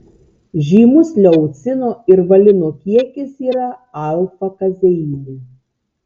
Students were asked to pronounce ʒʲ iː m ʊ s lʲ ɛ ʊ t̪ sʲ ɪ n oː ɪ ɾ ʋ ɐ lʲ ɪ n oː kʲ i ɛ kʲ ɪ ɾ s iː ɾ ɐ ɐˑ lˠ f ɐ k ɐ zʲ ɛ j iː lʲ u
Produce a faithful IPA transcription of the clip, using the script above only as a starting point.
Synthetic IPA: ʒʲ iː m ʊ s lʲ ɛ ʊ t̪ sʲ ɪ n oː ɪ ɾ ʋ ɐ lʲ ɪ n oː kʲ i ɛ kʲ ɪ s iː ɾ ɐ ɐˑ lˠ f ɐ k ɐ zʲ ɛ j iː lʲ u